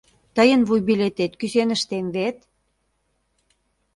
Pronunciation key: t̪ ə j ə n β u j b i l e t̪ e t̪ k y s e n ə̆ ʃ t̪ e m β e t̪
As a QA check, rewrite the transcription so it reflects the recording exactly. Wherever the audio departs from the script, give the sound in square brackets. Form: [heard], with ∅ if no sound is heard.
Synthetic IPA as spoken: t̪ ə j ə n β u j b i l e t̪ e t̪ k y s e n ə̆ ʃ t̪ e m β e t̪

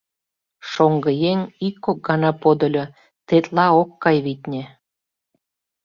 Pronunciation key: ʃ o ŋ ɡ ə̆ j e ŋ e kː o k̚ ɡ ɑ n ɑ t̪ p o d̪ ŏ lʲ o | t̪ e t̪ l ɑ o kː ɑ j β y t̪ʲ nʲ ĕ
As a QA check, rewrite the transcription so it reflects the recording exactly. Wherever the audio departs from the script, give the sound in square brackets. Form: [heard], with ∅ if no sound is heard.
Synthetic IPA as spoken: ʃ o ŋ ɡ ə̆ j e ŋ [i] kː o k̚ ɡ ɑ n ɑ [∅] p o d̪ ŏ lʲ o | t̪ e t̪ l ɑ o kː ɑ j β [i] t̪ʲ nʲ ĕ

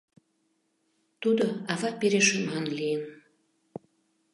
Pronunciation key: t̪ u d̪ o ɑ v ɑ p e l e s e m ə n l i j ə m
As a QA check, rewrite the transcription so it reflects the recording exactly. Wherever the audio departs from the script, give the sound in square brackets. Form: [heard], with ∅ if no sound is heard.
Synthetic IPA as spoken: t̪ u d̪ o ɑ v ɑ p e [ɾ] e [ʃ] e m [ɑ] n l i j ə [n]

